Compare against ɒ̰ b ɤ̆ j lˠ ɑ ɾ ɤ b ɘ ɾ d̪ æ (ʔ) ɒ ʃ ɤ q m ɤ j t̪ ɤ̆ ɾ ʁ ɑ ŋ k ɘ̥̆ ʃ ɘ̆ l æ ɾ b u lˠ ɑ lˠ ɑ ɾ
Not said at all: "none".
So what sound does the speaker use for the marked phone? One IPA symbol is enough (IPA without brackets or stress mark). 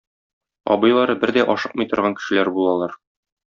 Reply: ʔ